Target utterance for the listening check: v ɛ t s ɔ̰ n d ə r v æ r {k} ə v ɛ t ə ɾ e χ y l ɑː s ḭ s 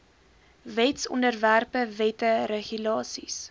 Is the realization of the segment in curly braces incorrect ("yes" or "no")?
yes